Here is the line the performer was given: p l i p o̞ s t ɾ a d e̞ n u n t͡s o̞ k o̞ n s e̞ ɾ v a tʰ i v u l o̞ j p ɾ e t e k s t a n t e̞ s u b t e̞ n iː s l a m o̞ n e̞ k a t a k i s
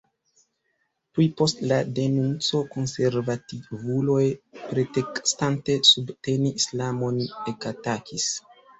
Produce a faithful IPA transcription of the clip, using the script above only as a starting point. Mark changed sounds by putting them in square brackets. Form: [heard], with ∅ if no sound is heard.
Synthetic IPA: p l i p o̞ s t [l] a d e̞ n u n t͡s o̞ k o̞ n s e̞ ɾ v a [t] i v u l o̞ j p ɾ e t e k s t a n t e̞ s u b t e̞ n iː s l a m o̞ n e̞ k a t a k i s